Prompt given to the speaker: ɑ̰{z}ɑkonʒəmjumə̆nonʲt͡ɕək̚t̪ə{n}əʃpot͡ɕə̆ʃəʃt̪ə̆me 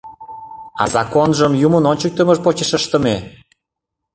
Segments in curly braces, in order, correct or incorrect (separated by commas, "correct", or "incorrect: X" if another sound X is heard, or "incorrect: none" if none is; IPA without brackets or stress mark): correct, incorrect: m